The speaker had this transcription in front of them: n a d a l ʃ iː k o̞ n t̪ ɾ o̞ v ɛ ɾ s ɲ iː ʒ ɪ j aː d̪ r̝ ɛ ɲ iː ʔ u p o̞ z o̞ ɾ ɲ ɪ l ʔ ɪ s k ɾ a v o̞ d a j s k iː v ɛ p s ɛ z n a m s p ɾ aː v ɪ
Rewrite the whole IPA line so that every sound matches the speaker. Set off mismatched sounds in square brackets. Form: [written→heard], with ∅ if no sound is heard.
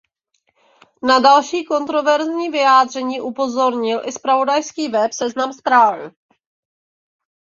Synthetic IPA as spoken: n a d a l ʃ iː k o̞ n t̪ ɾ o̞ v ɛ ɾ [s→z] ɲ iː [ʒ→v] ɪ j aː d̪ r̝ ɛ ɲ iː ʔ u p o̞ z o̞ ɾ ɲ ɪ l ʔ ɪ s [k→p] ɾ a v o̞ d a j s k iː v ɛ p s ɛ z n a m s p ɾ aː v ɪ

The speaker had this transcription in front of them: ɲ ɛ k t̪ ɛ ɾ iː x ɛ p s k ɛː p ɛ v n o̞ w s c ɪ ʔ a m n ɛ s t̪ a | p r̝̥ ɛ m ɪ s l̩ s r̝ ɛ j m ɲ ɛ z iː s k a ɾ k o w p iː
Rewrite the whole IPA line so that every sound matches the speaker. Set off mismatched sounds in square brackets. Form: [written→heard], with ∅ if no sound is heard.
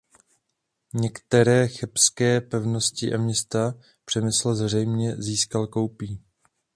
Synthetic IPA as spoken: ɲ ɛ k t̪ ɛ ɾ [iː→ɛː] x ɛ p s k ɛː p ɛ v n o̞ [w→∅] s c ɪ ʔ a m [n→ɲ] ɛ s t̪ a | p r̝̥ ɛ m ɪ s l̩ [s→z] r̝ ɛ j m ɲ ɛ z iː s k a [ɾ→l] k o w p iː

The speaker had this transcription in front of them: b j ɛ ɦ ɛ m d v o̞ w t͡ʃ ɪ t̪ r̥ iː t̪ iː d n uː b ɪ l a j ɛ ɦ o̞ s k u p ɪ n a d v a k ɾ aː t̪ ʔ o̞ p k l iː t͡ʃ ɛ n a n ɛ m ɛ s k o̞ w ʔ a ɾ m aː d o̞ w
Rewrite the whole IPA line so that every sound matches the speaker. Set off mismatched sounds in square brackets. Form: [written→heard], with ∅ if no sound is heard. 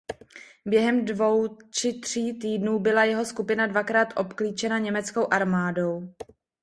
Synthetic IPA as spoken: b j ɛ ɦ ɛ m d v o̞ w t͡ʃ ɪ t̪ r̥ iː t̪ iː d n uː b ɪ l a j ɛ ɦ o̞ s k u p ɪ n a d v a k ɾ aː t̪ ʔ o̞ p k l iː t͡ʃ ɛ n a [n→ɲ] ɛ m ɛ [s→t͡s] k o̞ w ʔ a ɾ m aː d o̞ w

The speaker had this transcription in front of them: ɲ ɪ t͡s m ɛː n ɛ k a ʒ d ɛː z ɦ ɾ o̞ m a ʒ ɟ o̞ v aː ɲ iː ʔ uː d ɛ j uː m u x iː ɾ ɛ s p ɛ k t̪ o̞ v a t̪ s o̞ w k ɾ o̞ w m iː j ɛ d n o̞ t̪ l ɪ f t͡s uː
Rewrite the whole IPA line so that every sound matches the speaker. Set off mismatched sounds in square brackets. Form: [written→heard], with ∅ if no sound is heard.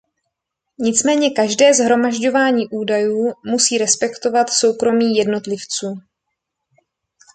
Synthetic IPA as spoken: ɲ ɪ t͡s m ɛː [n→ɲ] ɛ k a ʒ d ɛː z ɦ ɾ o̞ m a ʒ ɟ o̞ v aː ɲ iː ʔ uː d [ɛ→a] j uː m u [x→s] iː ɾ ɛ s p ɛ k t̪ o̞ v a t̪ s o̞ w k ɾ o̞ [w→∅] m iː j ɛ d n o̞ t̪ l ɪ f t͡s uː

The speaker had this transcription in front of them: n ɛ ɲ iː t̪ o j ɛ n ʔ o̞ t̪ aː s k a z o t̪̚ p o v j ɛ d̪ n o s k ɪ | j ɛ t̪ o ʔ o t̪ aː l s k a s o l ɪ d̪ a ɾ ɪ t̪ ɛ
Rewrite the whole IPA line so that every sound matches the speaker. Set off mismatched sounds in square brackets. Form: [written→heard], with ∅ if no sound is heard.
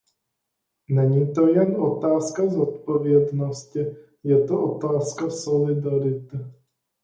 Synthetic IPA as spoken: n ɛ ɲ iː t̪ o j ɛ n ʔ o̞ t̪ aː s k a z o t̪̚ p o v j ɛ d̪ n o s [k→c] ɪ | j ɛ t̪ o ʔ o t̪ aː [l→∅] s k a s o l ɪ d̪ a ɾ ɪ t̪ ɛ

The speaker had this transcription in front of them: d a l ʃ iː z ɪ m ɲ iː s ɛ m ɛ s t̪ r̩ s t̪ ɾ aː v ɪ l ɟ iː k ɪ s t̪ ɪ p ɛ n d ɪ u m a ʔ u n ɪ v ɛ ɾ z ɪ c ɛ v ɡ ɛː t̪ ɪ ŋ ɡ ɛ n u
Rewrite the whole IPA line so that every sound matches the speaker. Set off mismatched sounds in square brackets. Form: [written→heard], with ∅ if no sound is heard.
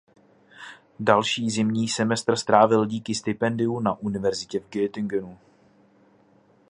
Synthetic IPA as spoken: d a l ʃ iː z ɪ m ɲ iː s ɛ m ɛ s t̪ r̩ s t̪ ɾ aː v ɪ l ɟ iː k ɪ s t̪ ɪ p ɛ n d ɪ u [m→n] a ʔ u n ɪ v ɛ ɾ z ɪ c ɛ v ɡ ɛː t̪ ɪ ŋ ɡ ɛ n u

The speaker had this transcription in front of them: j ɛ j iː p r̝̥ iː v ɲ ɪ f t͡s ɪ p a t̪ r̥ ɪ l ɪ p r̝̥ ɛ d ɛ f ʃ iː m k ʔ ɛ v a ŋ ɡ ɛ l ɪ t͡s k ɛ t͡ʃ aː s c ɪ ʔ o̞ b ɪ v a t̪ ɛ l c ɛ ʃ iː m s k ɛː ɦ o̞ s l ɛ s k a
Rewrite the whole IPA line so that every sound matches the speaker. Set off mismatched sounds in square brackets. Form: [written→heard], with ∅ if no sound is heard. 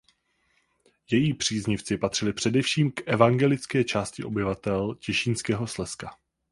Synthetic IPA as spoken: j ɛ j iː p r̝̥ iː [v→z] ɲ ɪ f t͡s ɪ p a t̪ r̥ ɪ l ɪ p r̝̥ ɛ d ɛ f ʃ iː m k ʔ ɛ v a ŋ ɡ ɛ l ɪ t͡s k [ɛ→ɛː] t͡ʃ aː s c ɪ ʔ o̞ b ɪ v a t̪ ɛ l c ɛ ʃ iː [m→n] s k ɛː ɦ o̞ s l ɛ s k a

